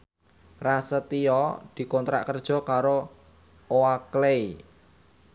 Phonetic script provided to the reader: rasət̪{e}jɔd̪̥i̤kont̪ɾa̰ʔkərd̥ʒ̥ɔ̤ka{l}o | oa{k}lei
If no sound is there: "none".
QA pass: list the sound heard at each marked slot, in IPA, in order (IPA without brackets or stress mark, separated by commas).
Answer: i, ɾ, k